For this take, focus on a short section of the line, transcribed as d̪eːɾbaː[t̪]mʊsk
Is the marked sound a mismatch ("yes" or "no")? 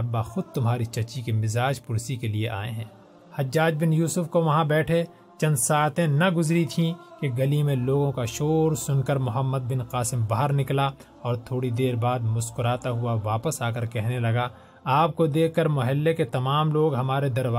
yes